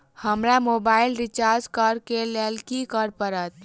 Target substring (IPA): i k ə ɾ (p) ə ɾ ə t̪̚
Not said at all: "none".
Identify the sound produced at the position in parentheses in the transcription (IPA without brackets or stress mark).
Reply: p